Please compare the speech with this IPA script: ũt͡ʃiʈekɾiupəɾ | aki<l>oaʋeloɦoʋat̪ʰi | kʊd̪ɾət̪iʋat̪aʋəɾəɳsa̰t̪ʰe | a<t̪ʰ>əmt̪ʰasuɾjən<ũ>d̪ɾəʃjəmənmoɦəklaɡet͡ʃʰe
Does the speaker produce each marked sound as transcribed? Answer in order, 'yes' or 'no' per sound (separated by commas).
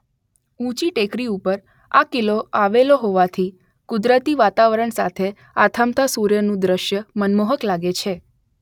yes, yes, yes